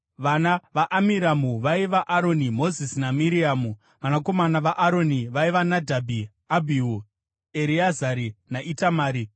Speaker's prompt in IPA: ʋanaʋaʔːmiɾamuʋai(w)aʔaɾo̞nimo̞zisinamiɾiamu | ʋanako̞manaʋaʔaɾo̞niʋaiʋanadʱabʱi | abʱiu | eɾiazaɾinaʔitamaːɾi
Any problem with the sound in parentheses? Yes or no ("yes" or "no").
yes